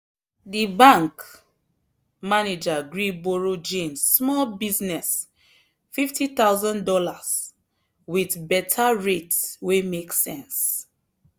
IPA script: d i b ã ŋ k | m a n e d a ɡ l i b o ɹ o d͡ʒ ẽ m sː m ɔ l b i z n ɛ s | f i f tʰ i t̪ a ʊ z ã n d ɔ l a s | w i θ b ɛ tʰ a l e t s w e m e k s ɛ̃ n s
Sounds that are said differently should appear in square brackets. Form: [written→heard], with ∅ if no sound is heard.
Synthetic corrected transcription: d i b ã ŋ k | m a n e [d→d͡ʒ] a ɡ [l→ɹ] i b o ɹ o d͡ʒ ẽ m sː m ɔ l b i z n ɛ s | f i f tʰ i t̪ a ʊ z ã n d ɔ l a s | w i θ b ɛ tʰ a [l→ɹ] e t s w e m e k s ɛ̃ n s